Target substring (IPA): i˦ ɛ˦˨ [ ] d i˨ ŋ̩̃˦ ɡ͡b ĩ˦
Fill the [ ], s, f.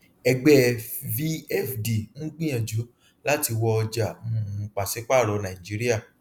f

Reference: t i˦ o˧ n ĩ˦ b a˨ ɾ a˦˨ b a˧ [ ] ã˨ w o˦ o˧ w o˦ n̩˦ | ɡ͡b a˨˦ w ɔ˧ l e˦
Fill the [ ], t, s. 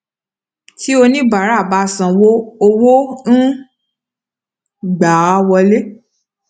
s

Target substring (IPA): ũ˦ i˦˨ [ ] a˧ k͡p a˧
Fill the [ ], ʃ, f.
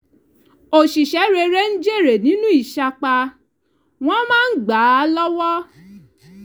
ʃ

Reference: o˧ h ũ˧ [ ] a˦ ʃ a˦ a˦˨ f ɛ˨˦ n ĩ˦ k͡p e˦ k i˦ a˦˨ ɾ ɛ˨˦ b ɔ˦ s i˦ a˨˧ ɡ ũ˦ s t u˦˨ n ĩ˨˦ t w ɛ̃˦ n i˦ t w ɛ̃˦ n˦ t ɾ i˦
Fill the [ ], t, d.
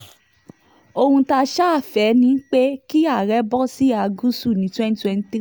t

